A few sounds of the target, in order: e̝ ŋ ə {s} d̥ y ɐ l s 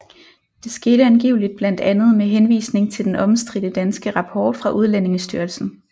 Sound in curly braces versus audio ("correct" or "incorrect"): correct